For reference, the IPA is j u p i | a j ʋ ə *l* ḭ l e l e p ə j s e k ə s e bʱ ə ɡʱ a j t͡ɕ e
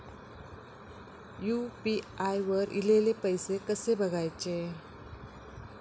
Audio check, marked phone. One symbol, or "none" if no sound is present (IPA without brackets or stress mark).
ɾ